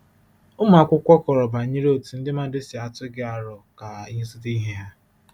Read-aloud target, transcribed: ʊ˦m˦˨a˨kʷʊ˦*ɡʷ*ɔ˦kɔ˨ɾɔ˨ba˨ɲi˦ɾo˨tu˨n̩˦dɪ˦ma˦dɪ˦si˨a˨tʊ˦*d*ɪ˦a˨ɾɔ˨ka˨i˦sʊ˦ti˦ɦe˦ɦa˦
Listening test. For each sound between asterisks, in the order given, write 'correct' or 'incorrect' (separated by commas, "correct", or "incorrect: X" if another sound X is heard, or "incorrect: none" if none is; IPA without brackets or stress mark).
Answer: incorrect: kʷ, incorrect: ɡ